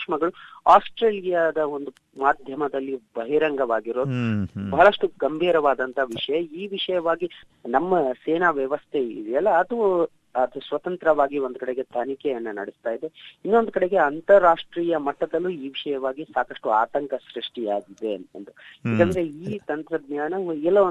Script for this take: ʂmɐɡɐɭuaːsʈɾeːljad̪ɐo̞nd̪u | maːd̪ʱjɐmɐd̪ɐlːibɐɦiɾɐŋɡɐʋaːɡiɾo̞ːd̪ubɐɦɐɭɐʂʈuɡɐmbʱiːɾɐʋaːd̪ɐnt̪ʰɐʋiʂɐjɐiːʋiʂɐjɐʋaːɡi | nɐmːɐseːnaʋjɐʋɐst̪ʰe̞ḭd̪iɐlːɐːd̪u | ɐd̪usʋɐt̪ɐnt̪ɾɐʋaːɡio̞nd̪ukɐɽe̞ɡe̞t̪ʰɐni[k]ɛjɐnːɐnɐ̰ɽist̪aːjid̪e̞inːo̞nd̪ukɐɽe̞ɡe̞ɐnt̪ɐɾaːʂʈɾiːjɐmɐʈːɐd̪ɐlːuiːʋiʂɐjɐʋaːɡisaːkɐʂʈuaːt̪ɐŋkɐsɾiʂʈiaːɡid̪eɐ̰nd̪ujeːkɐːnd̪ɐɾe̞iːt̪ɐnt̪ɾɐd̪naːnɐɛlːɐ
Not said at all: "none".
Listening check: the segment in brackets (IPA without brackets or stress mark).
k